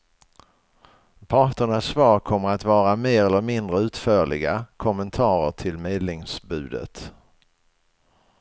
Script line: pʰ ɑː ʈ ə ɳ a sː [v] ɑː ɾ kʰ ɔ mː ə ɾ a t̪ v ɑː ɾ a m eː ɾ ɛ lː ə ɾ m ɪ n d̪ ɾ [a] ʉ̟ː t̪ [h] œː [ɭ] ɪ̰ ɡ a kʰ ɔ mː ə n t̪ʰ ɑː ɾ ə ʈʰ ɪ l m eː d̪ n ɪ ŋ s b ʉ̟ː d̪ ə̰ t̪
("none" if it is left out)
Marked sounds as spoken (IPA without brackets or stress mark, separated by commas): v, ə, f, ɭ